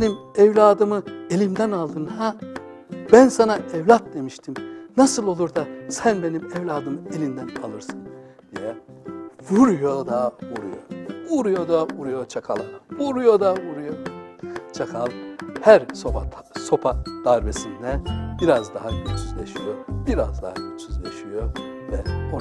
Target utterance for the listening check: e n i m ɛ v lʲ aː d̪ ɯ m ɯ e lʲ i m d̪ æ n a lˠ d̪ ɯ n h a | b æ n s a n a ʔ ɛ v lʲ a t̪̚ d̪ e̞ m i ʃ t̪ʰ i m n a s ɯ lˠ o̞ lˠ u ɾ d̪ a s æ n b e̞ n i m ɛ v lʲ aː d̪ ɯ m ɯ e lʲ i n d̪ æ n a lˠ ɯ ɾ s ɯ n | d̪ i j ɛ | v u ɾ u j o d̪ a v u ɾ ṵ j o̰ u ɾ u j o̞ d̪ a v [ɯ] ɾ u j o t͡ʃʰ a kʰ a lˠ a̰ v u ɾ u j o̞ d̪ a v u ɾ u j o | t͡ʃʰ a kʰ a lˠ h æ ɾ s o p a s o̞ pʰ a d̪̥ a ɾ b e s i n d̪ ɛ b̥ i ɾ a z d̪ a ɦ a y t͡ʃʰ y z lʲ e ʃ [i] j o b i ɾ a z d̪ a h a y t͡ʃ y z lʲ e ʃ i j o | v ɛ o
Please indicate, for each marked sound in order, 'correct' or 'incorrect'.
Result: incorrect, correct

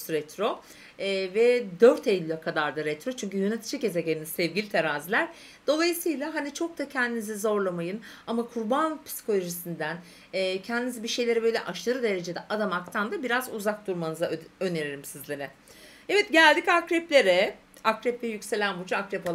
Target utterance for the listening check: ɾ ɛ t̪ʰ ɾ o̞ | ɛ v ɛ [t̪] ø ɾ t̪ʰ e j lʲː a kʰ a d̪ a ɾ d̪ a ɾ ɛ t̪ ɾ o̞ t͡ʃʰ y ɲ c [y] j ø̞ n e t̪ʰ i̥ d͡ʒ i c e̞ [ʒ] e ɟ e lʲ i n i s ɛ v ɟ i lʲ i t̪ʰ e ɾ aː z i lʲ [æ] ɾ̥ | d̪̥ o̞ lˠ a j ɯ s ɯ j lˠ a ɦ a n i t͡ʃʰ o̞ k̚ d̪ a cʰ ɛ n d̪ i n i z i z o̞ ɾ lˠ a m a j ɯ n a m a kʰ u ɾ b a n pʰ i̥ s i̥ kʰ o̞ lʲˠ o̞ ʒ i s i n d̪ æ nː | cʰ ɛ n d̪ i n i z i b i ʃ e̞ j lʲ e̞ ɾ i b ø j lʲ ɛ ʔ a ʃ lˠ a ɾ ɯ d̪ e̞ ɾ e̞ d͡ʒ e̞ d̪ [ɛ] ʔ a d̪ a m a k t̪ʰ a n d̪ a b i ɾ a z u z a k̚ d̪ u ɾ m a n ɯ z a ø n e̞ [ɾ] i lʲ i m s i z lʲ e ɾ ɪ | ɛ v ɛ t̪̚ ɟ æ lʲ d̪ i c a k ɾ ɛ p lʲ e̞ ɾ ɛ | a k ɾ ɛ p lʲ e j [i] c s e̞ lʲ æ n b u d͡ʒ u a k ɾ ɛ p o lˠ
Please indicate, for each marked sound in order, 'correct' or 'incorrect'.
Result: incorrect, correct, incorrect, correct, correct, correct, incorrect

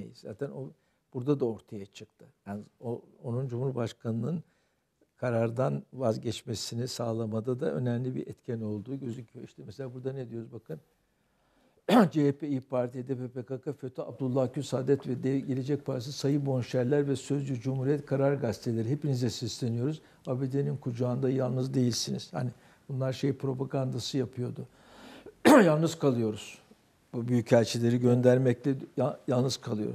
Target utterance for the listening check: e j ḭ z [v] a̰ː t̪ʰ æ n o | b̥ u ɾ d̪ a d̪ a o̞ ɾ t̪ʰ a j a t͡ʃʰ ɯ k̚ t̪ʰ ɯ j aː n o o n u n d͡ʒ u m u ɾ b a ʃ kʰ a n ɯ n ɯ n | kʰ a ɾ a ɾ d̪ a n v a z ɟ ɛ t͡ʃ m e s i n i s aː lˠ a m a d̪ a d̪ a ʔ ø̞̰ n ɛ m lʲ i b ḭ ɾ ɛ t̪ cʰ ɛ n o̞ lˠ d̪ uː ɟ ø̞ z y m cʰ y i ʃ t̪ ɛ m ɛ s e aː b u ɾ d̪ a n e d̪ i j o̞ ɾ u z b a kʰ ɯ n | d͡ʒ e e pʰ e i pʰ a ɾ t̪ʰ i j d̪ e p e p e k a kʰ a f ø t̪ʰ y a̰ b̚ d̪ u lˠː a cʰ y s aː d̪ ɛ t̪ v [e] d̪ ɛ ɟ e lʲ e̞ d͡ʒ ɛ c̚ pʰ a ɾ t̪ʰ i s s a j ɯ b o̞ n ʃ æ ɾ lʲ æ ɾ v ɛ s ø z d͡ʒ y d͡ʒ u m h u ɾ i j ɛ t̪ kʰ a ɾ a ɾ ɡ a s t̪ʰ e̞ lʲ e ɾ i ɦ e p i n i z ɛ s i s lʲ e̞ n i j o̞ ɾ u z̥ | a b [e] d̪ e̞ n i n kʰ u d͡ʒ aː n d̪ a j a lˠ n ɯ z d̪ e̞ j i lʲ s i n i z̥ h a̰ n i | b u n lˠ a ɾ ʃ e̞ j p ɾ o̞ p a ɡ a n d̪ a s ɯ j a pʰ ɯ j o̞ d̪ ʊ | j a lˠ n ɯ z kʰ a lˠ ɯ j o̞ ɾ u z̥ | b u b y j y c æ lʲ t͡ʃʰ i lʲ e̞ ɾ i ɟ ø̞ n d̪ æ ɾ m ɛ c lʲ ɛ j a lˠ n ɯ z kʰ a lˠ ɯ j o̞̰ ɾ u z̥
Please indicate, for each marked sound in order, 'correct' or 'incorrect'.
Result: incorrect, incorrect, correct

